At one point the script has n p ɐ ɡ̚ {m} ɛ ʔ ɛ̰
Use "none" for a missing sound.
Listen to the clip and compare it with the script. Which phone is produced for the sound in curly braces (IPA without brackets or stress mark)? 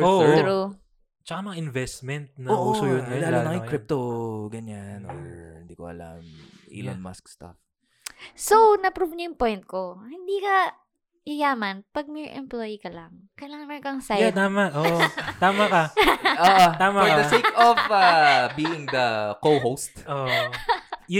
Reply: m